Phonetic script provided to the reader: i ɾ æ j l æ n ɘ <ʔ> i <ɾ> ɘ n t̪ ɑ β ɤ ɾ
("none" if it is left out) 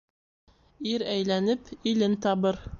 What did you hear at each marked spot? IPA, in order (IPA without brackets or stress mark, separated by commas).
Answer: p, l